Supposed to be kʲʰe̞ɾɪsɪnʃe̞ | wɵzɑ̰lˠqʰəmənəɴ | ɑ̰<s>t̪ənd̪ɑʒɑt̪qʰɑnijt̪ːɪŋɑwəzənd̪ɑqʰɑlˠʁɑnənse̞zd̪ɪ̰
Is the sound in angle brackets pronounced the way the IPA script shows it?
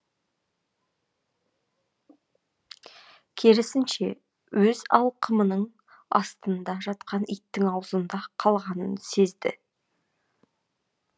yes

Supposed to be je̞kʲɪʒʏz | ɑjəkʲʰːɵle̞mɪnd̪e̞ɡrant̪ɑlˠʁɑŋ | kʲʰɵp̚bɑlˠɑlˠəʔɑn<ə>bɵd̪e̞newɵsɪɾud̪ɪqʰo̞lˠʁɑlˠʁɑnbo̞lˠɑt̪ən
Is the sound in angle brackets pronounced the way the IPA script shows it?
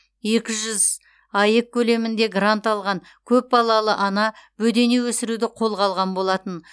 no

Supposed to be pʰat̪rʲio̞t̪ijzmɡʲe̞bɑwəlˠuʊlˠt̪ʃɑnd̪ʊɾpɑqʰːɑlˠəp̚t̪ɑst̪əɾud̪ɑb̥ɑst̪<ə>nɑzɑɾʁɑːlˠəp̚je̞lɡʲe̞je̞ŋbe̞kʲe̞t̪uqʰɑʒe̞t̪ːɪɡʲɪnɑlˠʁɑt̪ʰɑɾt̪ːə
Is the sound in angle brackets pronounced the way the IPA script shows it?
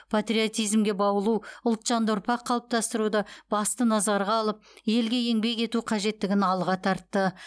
yes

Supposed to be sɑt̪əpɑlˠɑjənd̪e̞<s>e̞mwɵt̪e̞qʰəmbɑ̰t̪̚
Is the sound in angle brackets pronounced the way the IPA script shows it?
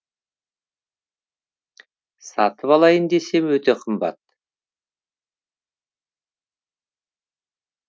yes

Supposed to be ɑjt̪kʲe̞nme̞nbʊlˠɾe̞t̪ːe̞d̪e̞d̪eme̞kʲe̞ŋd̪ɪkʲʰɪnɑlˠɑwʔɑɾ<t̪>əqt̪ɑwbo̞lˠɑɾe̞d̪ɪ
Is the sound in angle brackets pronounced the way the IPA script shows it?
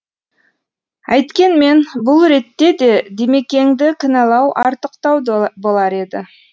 yes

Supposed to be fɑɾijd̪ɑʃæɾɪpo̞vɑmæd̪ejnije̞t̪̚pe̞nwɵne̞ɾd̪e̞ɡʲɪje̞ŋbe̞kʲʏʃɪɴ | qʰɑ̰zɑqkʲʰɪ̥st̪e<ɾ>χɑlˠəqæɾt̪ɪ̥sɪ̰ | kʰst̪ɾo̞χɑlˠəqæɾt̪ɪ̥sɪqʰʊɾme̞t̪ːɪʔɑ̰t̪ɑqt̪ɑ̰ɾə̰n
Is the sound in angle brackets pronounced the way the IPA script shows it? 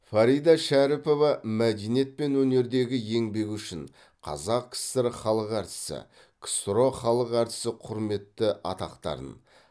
yes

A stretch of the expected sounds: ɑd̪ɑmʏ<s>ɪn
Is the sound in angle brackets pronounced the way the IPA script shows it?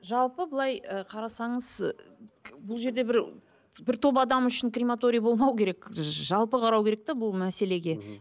no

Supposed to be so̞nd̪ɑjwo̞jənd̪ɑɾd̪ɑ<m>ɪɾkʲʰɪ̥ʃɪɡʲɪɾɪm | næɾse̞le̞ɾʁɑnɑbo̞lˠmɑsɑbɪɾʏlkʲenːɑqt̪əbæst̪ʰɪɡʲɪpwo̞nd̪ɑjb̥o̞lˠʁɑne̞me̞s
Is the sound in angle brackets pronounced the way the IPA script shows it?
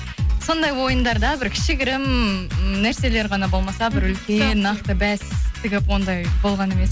no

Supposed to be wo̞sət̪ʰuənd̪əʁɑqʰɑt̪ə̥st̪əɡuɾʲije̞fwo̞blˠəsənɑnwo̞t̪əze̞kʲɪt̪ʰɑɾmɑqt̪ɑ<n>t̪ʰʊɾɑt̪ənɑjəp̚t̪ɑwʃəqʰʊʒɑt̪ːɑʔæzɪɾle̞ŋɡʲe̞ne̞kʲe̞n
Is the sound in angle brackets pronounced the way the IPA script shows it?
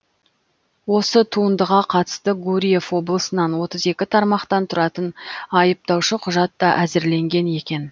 yes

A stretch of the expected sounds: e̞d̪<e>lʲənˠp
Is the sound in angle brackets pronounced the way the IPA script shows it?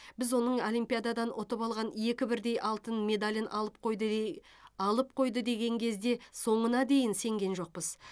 no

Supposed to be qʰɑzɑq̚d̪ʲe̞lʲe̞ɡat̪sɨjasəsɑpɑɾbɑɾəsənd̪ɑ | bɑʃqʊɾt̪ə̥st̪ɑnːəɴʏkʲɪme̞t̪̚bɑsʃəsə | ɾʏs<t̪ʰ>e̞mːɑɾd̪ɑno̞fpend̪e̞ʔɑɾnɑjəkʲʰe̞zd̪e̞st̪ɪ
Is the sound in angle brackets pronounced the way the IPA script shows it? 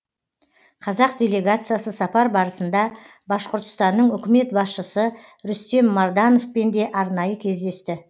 no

